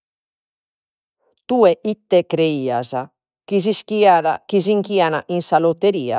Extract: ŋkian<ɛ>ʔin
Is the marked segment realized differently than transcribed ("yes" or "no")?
yes